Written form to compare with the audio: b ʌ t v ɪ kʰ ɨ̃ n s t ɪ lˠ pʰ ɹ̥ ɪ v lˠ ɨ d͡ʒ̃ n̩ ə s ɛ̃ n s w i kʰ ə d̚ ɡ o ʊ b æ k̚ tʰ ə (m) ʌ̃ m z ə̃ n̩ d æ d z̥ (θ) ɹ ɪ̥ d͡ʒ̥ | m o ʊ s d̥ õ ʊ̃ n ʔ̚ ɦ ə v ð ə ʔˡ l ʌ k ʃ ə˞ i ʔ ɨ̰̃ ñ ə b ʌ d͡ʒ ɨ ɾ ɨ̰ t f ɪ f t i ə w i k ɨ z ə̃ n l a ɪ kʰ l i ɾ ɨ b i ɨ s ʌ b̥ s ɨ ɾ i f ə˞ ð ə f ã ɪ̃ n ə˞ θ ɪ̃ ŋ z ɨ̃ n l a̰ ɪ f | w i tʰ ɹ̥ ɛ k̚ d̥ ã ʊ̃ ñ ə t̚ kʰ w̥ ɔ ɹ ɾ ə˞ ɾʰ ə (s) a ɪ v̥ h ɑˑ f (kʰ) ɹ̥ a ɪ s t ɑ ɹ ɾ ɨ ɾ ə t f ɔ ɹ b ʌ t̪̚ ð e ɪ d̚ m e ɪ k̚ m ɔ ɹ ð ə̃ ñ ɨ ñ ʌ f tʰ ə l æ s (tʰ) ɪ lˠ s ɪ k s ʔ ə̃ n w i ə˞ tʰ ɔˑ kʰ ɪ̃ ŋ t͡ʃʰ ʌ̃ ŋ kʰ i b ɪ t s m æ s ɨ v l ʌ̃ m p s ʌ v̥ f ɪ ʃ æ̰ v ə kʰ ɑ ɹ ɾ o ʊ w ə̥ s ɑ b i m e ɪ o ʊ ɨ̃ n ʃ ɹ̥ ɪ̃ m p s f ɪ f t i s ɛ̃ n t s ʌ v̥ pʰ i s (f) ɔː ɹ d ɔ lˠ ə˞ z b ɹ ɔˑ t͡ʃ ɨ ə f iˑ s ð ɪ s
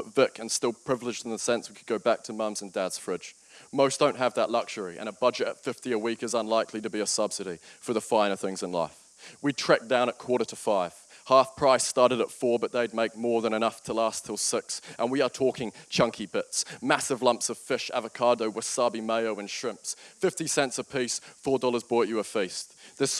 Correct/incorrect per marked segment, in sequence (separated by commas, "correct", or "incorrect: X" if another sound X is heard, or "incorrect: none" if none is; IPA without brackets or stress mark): correct, incorrect: f, incorrect: f, incorrect: pʰ, correct, correct